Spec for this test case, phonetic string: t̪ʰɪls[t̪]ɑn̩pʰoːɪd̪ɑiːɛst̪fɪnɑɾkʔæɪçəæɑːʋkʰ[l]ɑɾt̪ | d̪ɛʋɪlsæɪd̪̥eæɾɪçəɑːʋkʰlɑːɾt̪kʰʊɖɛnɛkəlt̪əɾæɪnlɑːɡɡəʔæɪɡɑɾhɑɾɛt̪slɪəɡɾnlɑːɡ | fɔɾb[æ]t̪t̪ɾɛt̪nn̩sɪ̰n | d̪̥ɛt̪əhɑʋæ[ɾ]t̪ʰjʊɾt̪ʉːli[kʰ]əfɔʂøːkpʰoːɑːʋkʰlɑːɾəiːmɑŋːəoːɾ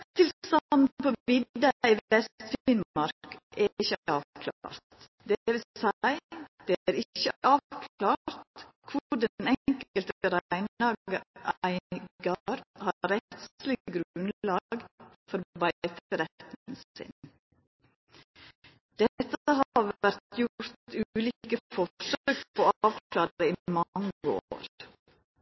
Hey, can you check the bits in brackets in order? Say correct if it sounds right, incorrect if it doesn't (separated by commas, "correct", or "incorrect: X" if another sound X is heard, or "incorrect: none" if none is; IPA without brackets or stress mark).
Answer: correct, correct, correct, correct, incorrect: k